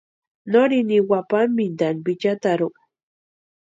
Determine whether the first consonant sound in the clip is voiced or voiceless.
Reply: voiced